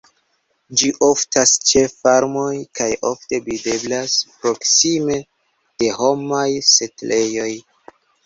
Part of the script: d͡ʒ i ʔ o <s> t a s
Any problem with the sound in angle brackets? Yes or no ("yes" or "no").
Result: yes